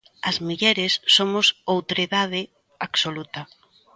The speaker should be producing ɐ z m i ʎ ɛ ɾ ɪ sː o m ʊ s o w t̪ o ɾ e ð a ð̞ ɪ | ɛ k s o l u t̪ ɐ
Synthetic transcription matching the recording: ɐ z m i ʎ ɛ ɾ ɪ sː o m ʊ s o w t̪ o ɾ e ð a ð̞ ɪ | a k s o l u t̪ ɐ